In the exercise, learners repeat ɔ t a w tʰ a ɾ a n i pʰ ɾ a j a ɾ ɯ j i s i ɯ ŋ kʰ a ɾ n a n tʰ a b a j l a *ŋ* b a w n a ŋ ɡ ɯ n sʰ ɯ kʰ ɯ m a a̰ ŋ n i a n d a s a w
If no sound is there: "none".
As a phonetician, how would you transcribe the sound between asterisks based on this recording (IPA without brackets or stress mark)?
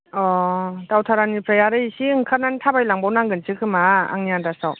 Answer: ŋ